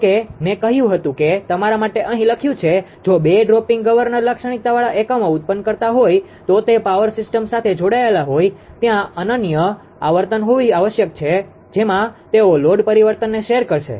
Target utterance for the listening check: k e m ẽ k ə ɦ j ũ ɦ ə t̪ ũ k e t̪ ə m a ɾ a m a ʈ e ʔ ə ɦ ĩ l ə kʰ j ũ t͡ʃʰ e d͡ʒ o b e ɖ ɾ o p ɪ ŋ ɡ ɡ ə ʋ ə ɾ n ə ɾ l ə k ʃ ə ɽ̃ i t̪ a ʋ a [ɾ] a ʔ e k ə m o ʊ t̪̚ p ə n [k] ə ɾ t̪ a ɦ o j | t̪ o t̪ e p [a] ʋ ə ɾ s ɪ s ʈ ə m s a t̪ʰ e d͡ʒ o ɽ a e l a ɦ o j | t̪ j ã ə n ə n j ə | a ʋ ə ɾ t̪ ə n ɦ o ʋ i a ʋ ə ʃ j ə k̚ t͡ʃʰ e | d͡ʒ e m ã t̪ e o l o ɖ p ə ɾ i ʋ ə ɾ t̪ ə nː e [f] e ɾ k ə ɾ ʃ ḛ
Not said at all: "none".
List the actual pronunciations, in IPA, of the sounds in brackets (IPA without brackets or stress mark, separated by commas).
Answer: ɭ, k, a, ʃ